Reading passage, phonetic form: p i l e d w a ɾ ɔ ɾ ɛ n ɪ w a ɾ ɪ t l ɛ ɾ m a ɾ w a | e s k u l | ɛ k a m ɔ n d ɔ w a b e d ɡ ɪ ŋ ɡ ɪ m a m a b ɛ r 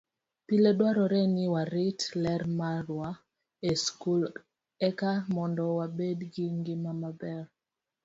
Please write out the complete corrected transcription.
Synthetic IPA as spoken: p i l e d w a ɾ ɔ ɾ ɛ n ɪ w a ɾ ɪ t l ɛ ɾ m a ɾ w a | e s k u l | ɛ k a m ɔ n d ɔ w a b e d ɡ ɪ ŋ ɡ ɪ m a m a b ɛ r